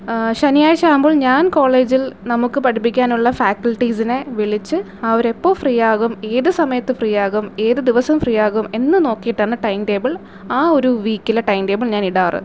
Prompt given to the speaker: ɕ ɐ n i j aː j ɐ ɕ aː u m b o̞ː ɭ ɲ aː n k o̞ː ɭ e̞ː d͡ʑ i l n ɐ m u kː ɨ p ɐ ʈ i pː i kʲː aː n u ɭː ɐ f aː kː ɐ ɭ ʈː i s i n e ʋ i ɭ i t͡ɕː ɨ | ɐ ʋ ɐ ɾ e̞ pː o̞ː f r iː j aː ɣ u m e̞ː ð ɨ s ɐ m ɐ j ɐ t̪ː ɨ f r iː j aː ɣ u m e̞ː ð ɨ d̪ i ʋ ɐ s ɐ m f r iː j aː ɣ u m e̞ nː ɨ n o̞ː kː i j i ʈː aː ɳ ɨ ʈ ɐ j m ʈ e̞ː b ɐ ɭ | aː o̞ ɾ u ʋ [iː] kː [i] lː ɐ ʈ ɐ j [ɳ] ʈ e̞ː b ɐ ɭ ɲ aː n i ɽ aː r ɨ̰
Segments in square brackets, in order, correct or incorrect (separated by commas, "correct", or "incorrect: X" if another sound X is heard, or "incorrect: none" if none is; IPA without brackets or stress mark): correct, correct, incorrect: m